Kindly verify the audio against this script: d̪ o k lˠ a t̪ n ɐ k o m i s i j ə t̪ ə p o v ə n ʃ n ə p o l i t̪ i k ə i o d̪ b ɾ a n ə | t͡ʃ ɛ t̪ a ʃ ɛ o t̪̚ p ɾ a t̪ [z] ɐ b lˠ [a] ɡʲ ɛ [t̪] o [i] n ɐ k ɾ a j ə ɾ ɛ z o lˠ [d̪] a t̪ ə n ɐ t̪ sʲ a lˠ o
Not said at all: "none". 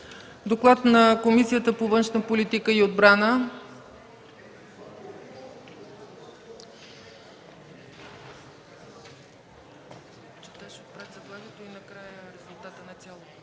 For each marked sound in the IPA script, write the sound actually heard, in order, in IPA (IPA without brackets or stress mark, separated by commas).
z, a, t̪, i, t̪